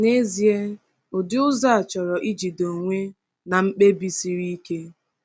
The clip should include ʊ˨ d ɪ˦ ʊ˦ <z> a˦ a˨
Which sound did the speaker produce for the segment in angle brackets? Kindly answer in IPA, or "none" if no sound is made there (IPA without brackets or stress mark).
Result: z